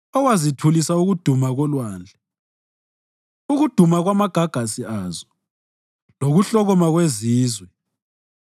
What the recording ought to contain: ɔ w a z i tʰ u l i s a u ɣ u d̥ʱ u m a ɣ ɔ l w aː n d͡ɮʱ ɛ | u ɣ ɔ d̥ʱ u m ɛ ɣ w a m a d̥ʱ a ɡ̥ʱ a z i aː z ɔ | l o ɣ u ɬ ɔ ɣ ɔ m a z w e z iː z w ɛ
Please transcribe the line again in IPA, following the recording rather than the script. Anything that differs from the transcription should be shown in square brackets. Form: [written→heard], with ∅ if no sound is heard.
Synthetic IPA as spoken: ɔ w a z i tʰ u l i s a u ɣ u d̥ʱ u m a ɣ ɔ l w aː n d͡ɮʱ ɛ | u ɣ [ɔ→u] d̥ʱ u m [ɛ→a] ɣ w a m a [d̥ʱ→ɡ̥ʱ] a ɡ̥ʱ a [z→s] i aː z ɔ | l o ɣ u ɬ ɔ ɣ ɔ m a [z→ɣ] w e z iː z w ɛ

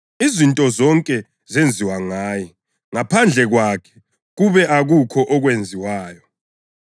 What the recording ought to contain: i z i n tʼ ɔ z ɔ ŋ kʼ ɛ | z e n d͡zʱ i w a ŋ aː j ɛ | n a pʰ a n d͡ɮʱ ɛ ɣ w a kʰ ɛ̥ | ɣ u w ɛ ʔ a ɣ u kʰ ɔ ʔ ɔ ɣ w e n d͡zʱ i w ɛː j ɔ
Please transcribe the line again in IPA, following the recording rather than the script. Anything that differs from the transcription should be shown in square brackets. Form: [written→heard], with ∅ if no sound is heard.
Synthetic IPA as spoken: i z i n tʼ ɔ z ɔ ŋ kʼ ɛ | z e n d͡zʱ i w a ŋ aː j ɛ | [n→ŋ] a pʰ a n d͡ɮʱ ɛ ɣ w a kʰ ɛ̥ | ɣ u [w→β] ɛ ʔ a ɣ u kʰ ɔ ʔ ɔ ɣ w e n d͡zʱ i w [ɛː→aː] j ɔ

